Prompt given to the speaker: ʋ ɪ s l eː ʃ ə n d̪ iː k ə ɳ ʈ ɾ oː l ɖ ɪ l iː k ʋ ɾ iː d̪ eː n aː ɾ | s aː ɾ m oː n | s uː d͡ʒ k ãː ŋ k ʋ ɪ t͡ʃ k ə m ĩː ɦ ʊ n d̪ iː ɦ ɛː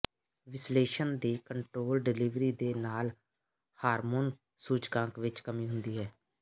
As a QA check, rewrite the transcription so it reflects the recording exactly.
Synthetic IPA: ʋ ɪ s l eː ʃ ə n d̪ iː k ə ɳ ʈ ɾ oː l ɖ ɪ l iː ʋ ɾ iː d̪ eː n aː l | h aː ɾ m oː n | s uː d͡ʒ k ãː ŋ k ʋ ɪ t͡ʃ k ə m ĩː ɦ ʊ n d̪ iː ɦ ɛː